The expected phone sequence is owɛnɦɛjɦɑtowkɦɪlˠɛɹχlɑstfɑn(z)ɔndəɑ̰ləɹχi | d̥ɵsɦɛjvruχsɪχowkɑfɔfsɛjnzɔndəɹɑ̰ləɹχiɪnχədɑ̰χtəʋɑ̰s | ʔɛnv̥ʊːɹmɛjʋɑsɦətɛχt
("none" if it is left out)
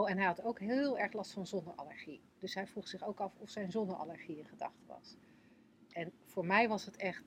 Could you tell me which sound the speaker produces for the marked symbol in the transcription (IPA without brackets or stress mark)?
z